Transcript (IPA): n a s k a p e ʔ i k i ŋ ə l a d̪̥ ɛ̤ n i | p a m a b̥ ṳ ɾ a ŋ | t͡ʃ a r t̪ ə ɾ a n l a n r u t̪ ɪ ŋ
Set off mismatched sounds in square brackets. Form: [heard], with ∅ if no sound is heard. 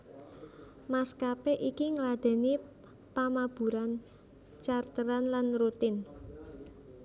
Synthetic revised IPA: [m] a s k a p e ʔ i k i ŋ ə l a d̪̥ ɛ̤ n i | p a m a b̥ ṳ ɾ a [n] | t͡ʃ a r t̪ ə ɾ a n l a n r u t̪ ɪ [n]